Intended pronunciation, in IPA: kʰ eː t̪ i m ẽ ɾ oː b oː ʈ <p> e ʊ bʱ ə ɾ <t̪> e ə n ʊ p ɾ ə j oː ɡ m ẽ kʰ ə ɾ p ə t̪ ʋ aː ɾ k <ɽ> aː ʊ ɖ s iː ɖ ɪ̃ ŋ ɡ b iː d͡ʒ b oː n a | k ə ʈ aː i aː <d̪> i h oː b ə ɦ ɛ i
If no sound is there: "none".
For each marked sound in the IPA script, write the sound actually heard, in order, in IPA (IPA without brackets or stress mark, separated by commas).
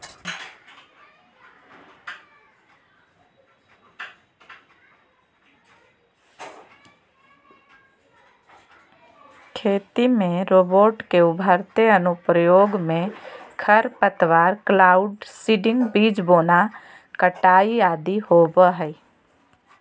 k, t̪, l, d̪